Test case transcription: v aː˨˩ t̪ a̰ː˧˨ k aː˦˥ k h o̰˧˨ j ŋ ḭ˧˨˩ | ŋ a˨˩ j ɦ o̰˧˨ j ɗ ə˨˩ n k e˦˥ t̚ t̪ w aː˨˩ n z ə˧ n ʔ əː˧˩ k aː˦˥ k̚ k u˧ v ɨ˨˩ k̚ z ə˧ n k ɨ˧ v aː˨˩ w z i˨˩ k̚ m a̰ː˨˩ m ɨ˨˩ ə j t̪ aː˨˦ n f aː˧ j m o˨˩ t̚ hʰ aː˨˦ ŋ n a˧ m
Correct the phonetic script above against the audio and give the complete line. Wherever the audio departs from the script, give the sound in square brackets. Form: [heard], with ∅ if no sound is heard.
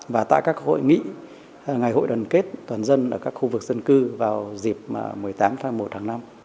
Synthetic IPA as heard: v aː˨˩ t̪ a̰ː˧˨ k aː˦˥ k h o̰˧˨ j ŋ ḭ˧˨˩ | ŋ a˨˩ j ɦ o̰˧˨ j ɗ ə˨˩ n k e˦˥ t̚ t̪ w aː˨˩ n z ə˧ n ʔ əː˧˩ k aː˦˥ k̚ [x] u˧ v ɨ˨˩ k̚ z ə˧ n k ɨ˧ v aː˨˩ w z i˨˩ [p̚] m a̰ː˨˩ m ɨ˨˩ ə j t̪ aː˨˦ [m] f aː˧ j m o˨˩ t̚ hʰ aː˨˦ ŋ n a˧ m

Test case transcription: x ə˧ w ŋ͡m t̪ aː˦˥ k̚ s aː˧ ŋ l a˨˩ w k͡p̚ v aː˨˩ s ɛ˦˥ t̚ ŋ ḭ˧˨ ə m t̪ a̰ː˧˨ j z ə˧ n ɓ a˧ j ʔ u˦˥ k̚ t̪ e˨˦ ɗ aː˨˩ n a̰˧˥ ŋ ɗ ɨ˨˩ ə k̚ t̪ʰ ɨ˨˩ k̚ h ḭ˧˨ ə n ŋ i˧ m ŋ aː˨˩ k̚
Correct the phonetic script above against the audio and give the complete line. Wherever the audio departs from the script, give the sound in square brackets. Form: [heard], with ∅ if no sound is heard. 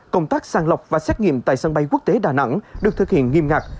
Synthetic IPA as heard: [k] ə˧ w ŋ͡m t̪ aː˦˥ k̚ s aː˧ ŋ l [ə˨˩] w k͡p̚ v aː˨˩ s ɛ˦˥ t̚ ŋ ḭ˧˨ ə m t̪ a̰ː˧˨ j [s] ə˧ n ɓ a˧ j [k] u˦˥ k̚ t̪ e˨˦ ɗ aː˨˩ n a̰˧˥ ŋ ɗ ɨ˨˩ ə k̚ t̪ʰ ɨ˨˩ k̚ h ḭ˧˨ ə n ŋ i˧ m ŋ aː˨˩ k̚

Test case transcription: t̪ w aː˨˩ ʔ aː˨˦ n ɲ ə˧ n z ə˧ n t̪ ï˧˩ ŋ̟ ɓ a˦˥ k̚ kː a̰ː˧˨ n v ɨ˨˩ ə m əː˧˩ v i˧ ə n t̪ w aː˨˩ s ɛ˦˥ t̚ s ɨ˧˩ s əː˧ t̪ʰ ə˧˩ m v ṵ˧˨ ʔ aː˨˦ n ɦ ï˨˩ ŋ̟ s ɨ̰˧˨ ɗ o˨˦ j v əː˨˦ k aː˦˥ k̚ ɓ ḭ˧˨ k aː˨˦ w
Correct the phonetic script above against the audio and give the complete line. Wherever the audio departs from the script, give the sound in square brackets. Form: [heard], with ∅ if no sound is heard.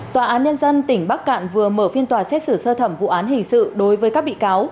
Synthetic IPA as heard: t̪ w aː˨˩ ʔ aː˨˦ n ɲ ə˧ n z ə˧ n t̪ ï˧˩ ŋ̟ ɓ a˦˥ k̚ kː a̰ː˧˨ n v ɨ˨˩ ə m əː˧˩ [f] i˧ ə n t̪ w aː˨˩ s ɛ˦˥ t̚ s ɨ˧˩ s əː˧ t̪ʰ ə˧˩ m v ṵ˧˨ ʔ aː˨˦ n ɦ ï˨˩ ŋ̟ s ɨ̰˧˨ ɗ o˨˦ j v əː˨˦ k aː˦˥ k̚ ɓ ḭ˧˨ k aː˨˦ w

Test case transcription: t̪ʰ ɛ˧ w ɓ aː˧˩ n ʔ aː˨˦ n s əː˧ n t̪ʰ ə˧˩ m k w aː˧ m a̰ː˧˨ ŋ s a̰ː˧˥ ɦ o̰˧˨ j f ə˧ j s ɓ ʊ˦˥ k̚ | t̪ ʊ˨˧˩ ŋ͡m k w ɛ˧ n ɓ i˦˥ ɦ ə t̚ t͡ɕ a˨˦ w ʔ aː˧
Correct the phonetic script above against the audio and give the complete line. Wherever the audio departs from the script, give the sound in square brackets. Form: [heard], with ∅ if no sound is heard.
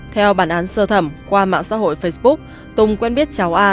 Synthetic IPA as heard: t̪ʰ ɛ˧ w ɓ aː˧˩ n ʔ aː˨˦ n s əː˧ [∅] t̪ʰ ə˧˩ m k w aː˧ m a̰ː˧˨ ŋ s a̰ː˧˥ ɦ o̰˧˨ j f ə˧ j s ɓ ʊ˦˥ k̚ | t̪ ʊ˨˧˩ ŋ͡m k w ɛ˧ n ɓ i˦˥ [∅] ə t̚ t͡ɕ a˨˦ w ʔ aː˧

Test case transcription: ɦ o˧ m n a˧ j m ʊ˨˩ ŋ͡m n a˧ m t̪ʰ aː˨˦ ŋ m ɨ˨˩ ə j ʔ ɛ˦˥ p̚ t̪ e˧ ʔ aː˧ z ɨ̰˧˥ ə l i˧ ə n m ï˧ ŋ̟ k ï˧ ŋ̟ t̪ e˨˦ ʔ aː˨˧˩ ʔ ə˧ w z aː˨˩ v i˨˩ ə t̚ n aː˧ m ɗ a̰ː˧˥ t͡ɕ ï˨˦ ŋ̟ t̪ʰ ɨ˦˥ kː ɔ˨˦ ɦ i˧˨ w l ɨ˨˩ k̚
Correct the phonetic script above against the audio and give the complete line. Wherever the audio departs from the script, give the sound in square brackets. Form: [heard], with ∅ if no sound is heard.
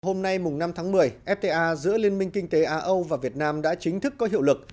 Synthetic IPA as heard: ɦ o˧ m n a˧ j m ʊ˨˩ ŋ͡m n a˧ m t̪ʰ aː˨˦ ŋ m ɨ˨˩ ə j ʔ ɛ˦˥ p̚ t̪ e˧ ʔ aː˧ z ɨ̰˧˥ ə l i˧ ə n m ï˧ ŋ̟ k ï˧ ŋ̟ t̪ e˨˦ ʔ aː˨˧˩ ʔ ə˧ w [v] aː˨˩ v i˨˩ ə t̚ n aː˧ m ɗ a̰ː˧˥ t͡ɕ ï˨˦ ŋ̟ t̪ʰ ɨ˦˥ kː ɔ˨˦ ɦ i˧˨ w l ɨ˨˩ k̚

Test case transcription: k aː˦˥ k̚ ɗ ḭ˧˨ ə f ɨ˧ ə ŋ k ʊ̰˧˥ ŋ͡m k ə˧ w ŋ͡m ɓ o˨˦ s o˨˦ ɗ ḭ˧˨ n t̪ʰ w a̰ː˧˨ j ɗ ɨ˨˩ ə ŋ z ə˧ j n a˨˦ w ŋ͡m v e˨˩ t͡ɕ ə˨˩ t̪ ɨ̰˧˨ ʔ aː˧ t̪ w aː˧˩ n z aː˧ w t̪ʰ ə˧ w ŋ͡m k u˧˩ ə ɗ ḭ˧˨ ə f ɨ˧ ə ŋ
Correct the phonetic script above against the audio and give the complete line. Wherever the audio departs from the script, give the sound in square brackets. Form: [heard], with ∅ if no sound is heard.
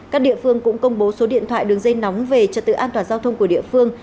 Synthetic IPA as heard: k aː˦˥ k̚ ɗ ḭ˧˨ ə f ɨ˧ ə ŋ k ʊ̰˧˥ ŋ͡m k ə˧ w ŋ͡m ɓ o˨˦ s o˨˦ ɗ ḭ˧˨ n t̪ʰ w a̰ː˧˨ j ɗ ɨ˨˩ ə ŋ z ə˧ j n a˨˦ w ŋ͡m v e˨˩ t͡ɕ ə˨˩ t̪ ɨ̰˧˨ ʔ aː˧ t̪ w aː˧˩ n z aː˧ w t̪ʰ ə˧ w ŋ͡m k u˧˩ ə ɗ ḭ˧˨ ə f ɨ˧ ə ŋ

